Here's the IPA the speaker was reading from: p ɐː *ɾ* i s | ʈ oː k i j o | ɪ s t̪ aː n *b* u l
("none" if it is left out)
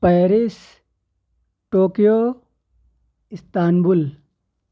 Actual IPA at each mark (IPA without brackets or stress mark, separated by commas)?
ɾ, b